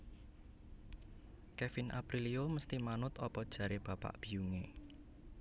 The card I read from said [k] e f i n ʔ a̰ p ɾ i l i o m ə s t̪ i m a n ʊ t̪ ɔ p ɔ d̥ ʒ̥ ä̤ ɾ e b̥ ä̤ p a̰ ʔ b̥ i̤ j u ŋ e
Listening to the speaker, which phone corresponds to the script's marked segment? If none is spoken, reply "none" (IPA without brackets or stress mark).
k